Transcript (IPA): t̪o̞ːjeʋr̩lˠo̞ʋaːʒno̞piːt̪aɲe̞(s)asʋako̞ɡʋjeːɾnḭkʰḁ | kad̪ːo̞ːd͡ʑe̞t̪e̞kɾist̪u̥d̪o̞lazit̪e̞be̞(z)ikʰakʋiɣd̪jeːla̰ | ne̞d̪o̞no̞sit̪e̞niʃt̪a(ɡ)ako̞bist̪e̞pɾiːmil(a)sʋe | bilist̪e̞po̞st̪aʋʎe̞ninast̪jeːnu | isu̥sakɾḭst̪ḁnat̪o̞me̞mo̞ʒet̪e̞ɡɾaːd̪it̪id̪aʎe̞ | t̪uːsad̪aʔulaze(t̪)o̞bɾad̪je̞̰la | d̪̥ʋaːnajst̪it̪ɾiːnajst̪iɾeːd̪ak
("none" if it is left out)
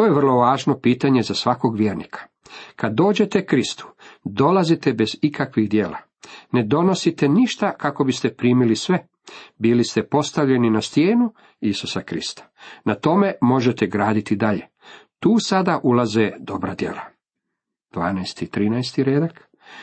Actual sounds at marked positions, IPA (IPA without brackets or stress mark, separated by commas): z, z, k, i, d̪